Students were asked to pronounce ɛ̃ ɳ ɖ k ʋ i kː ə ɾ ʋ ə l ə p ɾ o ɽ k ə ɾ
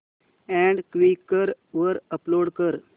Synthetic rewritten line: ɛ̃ ɳ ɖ k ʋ i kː ə ɾ ʋ ə ɾ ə p l o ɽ k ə ɾ